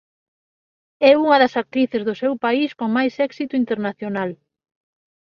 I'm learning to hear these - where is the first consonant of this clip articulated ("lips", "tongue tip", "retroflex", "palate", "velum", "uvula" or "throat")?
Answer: velum